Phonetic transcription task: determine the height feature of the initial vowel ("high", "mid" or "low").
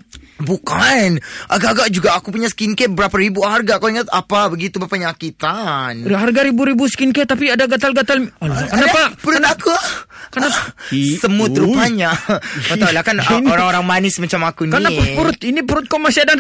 high